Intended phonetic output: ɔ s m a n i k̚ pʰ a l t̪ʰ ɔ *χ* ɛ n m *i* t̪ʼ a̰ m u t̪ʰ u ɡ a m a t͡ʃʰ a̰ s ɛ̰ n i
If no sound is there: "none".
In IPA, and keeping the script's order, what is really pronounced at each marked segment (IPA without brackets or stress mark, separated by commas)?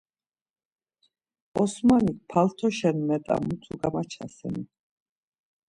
ʃ, ɛ